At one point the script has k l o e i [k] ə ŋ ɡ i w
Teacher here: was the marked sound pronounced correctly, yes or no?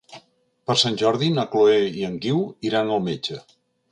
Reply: no